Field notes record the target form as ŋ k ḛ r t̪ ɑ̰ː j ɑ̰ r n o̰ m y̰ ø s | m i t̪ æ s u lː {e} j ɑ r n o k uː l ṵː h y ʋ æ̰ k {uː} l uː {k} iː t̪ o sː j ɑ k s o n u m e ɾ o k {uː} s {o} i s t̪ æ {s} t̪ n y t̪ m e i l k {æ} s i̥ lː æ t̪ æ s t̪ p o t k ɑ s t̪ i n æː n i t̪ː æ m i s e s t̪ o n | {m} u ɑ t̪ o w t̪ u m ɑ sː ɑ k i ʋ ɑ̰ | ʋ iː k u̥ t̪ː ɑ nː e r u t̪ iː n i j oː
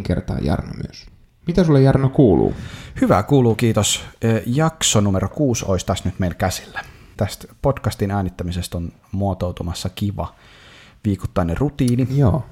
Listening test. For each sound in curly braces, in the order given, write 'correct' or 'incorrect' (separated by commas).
correct, correct, correct, correct, correct, correct, correct, correct